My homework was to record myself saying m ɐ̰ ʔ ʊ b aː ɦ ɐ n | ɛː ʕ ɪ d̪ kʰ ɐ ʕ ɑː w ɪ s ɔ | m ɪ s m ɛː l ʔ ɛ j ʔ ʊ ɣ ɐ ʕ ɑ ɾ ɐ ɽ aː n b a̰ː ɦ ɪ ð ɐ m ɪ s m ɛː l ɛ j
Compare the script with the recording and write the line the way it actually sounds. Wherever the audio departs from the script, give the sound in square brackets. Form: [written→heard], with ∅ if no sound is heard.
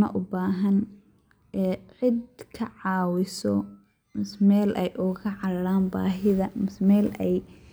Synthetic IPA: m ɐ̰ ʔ ʊ b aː ɦ ɐ n | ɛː ʕ ɪ d̪ kʰ ɐ ʕ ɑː w ɪ s ɔ | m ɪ s m ɛː l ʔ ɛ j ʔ ʊ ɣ ɐ ʕ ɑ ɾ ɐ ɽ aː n b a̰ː ɦ ɪ ð ɐ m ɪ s m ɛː l ɛ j